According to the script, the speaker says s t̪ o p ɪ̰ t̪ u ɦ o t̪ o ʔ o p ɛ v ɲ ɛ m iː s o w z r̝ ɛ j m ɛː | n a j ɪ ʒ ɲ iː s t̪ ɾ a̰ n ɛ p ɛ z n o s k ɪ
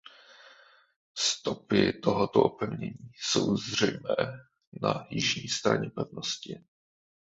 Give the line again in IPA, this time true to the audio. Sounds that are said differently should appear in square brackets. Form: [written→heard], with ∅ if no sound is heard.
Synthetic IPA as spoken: s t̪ o p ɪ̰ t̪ [u→o] ɦ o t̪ o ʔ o p ɛ v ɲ ɛ [m→ɲ] iː s o w z r̝ ɛ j m ɛː | n a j ɪ ʒ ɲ iː s t̪ ɾ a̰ [n→ɲ] ɛ p ɛ [z→v] n o s [k→c] ɪ

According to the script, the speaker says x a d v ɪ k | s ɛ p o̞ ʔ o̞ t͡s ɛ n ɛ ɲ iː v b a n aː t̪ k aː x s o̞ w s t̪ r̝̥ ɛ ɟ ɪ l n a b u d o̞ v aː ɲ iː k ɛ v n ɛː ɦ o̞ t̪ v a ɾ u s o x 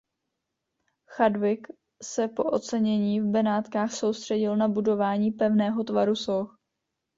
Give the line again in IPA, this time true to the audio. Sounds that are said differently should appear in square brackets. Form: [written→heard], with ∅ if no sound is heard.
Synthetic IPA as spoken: x a d v ɪ k | s ɛ p o̞ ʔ o̞ t͡s ɛ [n→ɲ] ɛ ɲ iː v b [a→ɛ] n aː t̪ k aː x s o̞ w s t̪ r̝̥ ɛ ɟ ɪ l n a b u d o̞ v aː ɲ iː [k→p] ɛ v n ɛː ɦ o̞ t̪ v a ɾ u s o x

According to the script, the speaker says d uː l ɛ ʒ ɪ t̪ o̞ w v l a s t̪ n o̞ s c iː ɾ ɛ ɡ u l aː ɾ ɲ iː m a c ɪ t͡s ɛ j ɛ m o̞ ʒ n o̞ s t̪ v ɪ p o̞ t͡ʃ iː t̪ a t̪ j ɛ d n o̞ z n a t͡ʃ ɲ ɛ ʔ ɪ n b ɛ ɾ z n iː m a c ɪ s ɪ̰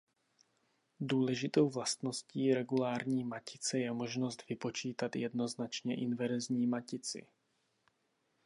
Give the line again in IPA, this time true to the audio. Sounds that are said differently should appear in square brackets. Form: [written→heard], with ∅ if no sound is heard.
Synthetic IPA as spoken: d uː l ɛ ʒ ɪ t̪ o̞ w v l a s t̪ n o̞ s c iː ɾ ɛ ɡ u l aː ɾ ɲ iː m a c ɪ t͡s ɛ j ɛ m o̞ ʒ n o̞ s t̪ v ɪ p o̞ t͡ʃ iː t̪ a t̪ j ɛ d n o̞ z n a t͡ʃ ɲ ɛ ʔ ɪ n [b→v] ɛ ɾ z [n→ɲ] iː m a c ɪ [s→t͡s] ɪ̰

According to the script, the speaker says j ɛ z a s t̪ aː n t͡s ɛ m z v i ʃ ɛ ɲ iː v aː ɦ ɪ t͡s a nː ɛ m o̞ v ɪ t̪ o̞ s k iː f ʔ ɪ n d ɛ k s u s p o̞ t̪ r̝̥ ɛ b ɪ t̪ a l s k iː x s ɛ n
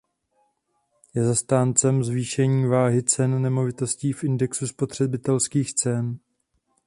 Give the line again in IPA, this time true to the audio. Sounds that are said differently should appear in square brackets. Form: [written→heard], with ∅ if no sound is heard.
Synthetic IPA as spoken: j ɛ z a s t̪ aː n t͡s ɛ m z v [i→iː] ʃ ɛ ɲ iː v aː ɦ ɪ t͡s [a→ɛ] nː ɛ m o̞ v ɪ t̪ o̞ s [k→c] iː f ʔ ɪ n d ɛ k s u s p o̞ t̪ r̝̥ ɛ b ɪ t̪ [a→ɛ] l s k iː x [s→t͡s] ɛ n

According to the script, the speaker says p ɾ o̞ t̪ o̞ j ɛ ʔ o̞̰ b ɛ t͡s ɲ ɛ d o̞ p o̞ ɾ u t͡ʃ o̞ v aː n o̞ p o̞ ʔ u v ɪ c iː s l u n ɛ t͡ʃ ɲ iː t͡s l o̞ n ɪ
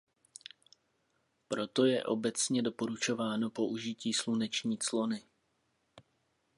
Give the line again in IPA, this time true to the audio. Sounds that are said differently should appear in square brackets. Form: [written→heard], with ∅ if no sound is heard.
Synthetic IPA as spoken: p ɾ o̞ t̪ o̞ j ɛ ʔ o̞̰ b ɛ t͡s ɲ ɛ d o̞ p o̞ ɾ u t͡ʃ o̞ v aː n o̞ p o̞ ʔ u [v→ʒ] ɪ c iː s l u n ɛ t͡ʃ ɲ iː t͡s l o̞ n ɪ

